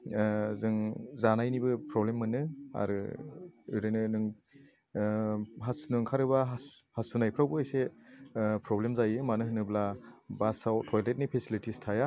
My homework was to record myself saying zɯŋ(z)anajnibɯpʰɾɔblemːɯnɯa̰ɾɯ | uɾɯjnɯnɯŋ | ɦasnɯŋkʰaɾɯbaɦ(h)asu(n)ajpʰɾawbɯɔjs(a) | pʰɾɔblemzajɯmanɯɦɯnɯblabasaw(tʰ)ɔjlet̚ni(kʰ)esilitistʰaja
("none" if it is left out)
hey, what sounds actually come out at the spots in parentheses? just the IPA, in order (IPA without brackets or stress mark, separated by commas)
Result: z, h, n, e, tʰ, pʰ